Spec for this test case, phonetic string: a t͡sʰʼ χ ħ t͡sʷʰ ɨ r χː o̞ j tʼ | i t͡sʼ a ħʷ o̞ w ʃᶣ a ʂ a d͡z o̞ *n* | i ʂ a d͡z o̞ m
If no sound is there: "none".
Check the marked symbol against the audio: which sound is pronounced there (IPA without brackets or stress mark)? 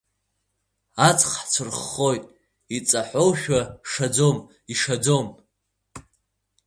m